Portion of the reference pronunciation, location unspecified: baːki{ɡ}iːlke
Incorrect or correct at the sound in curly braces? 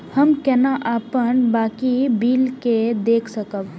incorrect: b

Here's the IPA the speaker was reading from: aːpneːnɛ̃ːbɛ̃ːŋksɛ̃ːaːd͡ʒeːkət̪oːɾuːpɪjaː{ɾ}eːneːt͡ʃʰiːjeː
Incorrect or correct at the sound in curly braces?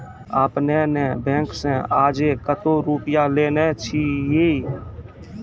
incorrect: l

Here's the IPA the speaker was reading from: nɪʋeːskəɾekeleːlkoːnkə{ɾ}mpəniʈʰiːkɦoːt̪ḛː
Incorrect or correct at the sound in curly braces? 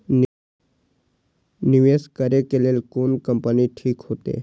incorrect: none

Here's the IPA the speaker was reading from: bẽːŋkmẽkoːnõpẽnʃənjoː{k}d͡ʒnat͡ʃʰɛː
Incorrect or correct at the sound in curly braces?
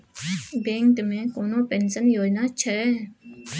incorrect: none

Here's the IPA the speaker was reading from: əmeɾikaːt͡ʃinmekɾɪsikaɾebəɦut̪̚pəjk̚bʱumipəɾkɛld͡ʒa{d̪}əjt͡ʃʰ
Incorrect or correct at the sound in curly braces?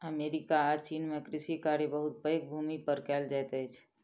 incorrect: t̪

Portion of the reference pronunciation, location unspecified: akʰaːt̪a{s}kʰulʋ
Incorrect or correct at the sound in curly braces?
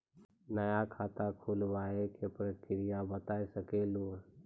incorrect: none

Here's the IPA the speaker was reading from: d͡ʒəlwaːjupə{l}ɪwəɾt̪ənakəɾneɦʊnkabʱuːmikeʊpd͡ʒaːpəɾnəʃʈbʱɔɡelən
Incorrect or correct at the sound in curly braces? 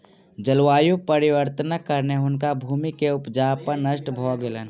incorrect: ɾ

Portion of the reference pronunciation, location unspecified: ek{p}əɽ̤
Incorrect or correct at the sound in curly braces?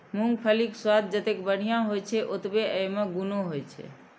incorrect: b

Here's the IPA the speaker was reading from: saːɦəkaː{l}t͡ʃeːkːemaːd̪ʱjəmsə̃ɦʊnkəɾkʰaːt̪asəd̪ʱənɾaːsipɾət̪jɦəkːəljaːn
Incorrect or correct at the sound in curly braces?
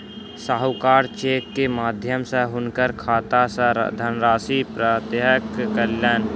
incorrect: ɾ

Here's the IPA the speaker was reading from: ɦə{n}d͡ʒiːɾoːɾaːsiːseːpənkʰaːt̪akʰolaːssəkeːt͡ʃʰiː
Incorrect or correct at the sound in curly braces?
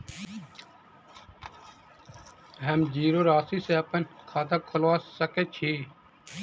incorrect: m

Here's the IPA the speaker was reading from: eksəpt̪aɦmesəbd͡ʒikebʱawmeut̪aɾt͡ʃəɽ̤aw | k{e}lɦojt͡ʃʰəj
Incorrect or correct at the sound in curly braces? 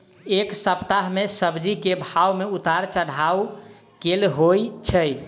correct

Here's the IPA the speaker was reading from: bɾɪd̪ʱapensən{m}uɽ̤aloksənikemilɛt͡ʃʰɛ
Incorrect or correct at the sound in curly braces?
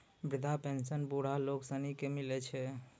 incorrect: b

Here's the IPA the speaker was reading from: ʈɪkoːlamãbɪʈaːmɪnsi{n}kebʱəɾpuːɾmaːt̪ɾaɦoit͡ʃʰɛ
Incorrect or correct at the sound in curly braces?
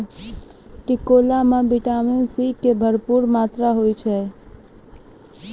incorrect: none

